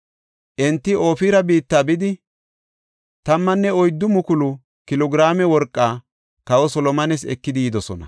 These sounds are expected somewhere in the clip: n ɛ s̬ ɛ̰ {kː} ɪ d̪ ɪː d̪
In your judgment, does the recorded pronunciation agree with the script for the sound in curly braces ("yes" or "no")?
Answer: yes